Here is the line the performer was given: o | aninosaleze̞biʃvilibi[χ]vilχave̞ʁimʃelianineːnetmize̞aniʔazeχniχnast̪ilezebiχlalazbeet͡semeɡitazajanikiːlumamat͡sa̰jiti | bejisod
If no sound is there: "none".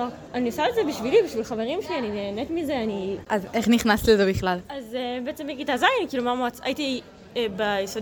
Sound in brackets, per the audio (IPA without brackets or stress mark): ʃ